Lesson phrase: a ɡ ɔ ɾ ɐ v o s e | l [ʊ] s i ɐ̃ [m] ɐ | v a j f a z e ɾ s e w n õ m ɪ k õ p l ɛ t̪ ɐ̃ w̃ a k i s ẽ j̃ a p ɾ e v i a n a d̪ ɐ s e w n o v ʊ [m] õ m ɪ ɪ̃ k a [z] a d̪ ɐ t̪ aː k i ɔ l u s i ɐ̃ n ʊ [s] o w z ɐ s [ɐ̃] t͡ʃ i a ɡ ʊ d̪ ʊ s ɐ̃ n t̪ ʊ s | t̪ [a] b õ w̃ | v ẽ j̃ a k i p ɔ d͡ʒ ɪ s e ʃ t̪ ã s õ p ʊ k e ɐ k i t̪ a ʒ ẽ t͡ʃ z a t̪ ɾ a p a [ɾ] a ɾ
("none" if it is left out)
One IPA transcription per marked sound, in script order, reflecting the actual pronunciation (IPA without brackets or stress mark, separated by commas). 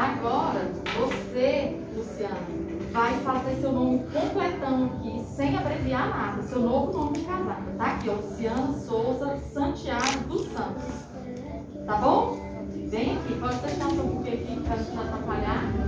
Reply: u, n, n, z, s, ɐ̃, a, ʎ